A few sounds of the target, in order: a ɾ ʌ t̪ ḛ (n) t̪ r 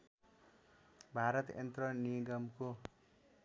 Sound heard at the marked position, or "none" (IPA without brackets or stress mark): n